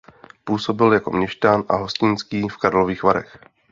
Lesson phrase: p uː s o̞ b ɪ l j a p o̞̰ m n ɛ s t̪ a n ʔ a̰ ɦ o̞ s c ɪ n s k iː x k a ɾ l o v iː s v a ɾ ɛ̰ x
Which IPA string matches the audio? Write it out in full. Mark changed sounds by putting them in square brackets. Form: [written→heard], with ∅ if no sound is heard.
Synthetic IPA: p uː s o̞ b ɪ l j a [p→k] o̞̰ m [n→ɲ] ɛ [s→ʃ] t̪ a n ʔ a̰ ɦ o̞ s c ɪ n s k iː [x→f] k a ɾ l o v iː [s→x] v a ɾ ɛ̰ x